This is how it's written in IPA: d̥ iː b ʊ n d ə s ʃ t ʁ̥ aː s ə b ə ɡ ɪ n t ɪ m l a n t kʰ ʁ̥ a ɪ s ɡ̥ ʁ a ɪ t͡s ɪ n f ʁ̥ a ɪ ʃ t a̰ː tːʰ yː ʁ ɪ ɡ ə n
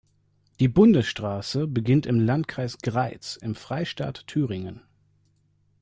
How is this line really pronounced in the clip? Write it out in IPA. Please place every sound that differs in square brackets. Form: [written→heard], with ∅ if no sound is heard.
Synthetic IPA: d̥ iː b ʊ n d ə s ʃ t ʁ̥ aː s ə b ə ɡ ɪ n t ɪ m l a n t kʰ ʁ̥ a ɪ s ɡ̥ ʁ a ɪ t͡s ɪ [n→m] f ʁ̥ a ɪ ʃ t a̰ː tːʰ yː ʁ ɪ [ɡ→ŋ] ə n